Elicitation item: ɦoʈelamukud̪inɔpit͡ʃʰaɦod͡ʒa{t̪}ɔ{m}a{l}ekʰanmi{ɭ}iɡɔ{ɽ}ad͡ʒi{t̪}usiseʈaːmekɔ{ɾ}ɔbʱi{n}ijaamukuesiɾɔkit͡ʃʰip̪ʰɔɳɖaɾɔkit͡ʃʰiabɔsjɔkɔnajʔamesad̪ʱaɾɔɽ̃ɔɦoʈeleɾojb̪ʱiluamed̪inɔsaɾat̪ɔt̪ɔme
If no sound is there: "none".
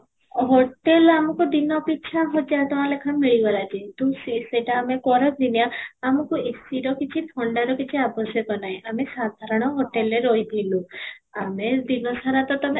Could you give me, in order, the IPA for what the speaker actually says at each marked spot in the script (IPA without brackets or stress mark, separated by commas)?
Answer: t̪, m, l, ɭ, l, t̪, ɾ, n